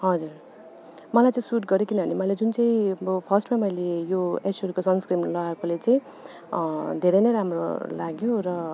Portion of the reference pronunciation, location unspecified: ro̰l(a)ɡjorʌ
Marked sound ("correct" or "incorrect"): correct